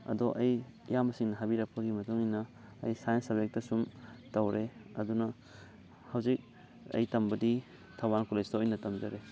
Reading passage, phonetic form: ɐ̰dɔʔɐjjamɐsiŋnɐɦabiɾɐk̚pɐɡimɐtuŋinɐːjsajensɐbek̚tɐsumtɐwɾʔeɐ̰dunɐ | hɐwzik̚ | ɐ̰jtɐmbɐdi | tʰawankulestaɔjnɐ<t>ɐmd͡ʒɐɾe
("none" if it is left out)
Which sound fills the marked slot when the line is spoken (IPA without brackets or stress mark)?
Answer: t